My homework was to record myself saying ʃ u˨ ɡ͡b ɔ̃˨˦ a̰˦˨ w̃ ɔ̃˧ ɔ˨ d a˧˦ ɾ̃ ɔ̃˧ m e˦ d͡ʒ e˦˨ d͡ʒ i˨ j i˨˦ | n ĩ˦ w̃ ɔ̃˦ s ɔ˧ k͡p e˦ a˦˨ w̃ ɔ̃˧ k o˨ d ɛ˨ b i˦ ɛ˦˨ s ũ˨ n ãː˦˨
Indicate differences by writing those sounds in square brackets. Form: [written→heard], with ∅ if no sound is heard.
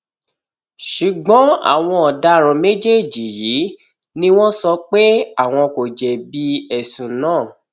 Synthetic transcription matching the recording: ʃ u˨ ɡ͡b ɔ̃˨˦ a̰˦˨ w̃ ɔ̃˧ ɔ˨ d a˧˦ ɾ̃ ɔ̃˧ m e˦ d͡ʒ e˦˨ d͡ʒ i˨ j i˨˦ | n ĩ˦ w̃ ɔ̃˦ s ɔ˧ k͡p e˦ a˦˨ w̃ ɔ̃˧ k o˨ [d→d͡ʒ] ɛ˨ b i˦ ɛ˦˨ s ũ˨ n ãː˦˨